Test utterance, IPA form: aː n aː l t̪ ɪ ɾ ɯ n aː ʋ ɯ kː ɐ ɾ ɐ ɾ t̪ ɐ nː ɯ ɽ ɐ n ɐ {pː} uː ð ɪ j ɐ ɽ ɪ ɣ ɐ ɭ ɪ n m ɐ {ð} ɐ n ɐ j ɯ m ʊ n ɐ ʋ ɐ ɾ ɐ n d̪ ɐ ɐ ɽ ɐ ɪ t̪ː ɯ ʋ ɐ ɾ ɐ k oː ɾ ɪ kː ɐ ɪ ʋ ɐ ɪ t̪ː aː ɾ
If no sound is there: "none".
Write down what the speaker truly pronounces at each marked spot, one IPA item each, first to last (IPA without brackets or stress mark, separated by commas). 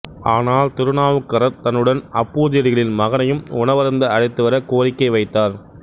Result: pː, ɣ